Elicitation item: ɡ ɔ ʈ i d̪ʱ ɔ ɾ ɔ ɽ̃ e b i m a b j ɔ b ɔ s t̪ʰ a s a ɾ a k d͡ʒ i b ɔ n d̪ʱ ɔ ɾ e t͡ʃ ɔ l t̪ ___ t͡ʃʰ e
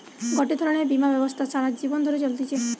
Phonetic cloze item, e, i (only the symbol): i